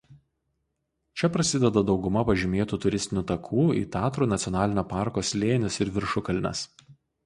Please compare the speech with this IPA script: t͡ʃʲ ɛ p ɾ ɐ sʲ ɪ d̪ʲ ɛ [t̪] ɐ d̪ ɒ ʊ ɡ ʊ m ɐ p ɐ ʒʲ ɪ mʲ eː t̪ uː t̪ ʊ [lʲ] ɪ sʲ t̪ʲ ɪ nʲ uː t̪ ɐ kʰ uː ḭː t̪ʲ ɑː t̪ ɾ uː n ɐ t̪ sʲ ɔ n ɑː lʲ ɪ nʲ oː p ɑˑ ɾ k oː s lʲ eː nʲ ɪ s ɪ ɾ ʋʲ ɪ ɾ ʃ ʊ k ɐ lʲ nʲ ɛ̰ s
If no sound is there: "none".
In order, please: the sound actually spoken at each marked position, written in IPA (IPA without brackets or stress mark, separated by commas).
d̪, ɾʲ